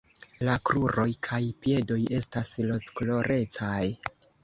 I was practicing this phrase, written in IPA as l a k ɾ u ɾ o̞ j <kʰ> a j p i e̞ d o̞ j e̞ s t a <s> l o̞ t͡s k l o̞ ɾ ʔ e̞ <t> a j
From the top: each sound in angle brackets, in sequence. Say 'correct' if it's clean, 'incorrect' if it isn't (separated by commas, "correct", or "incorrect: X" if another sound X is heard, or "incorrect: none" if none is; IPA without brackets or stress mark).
correct, correct, incorrect: t͡s